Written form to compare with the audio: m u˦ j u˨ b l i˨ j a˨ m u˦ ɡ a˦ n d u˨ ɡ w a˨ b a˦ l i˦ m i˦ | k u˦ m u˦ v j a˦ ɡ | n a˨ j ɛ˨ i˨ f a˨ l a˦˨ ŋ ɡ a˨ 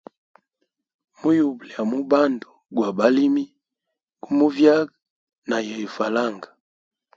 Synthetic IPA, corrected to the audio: m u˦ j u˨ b l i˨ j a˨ m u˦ b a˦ n d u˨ ɡ w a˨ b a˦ l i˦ m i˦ | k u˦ m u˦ v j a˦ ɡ | n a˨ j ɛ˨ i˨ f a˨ l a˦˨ ŋ ɡ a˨